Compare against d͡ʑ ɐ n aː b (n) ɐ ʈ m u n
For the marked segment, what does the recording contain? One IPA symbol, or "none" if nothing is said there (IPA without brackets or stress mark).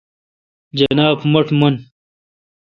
m